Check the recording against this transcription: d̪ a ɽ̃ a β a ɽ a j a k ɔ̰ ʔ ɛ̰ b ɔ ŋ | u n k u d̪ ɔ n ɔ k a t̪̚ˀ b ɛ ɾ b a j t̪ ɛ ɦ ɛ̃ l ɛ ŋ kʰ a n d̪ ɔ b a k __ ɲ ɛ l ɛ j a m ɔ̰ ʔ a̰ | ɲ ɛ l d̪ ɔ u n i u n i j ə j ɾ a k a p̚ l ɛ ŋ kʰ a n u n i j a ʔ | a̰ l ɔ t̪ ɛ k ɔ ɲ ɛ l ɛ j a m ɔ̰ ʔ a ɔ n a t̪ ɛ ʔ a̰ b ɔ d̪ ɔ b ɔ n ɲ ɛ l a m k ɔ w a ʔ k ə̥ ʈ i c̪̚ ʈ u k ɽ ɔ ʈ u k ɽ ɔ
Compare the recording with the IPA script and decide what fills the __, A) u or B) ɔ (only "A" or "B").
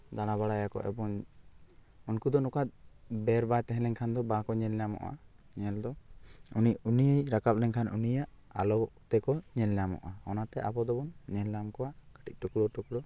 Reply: B